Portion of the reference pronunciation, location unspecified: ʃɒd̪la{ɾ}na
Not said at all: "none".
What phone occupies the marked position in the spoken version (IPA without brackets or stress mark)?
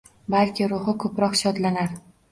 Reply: none